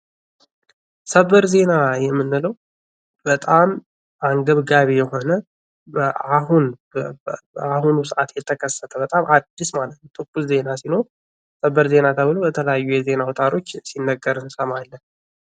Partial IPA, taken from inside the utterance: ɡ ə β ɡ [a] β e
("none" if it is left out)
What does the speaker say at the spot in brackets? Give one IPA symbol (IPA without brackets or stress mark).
a